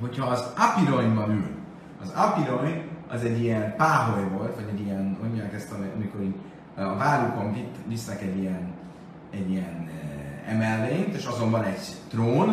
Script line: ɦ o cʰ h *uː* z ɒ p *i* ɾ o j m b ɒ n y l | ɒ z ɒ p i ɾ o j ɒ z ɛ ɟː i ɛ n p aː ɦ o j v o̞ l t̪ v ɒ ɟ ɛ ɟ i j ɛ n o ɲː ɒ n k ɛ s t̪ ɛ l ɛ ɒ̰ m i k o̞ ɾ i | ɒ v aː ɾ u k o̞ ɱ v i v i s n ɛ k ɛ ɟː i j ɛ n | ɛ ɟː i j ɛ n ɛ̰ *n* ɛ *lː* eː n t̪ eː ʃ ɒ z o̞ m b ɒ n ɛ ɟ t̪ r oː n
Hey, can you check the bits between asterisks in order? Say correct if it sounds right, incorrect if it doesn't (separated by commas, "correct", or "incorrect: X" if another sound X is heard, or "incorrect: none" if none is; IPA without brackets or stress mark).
incorrect: ɒː, correct, incorrect: m, correct